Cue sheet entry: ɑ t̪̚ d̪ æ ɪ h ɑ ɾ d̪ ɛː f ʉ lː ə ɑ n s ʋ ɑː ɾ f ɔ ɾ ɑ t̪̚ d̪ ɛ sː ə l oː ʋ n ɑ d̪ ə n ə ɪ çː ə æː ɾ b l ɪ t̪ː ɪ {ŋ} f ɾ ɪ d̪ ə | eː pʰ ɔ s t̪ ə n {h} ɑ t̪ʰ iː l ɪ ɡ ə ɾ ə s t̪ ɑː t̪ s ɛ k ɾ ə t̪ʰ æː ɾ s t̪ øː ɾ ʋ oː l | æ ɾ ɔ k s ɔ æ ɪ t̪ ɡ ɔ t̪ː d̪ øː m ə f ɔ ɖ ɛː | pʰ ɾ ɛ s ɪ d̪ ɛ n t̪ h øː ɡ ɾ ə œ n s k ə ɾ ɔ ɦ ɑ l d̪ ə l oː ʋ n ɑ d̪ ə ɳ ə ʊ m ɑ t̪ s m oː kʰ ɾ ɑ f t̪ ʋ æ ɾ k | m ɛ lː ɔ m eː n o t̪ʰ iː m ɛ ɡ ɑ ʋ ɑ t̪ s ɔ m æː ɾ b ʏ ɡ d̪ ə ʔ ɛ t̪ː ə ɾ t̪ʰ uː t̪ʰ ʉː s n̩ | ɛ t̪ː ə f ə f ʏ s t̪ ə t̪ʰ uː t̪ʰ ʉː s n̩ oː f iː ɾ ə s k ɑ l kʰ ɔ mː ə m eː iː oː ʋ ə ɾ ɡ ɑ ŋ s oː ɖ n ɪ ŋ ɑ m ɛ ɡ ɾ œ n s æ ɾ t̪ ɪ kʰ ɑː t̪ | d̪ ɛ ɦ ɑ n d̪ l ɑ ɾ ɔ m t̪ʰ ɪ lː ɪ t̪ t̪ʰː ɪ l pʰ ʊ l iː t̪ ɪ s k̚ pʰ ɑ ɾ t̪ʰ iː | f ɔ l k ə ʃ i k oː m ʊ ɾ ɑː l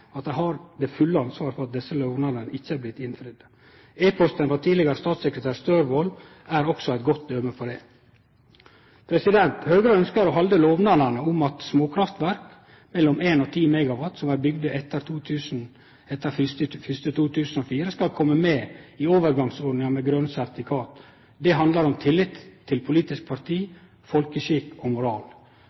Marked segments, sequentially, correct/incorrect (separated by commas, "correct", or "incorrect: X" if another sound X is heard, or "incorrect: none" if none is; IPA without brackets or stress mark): incorrect: n, incorrect: f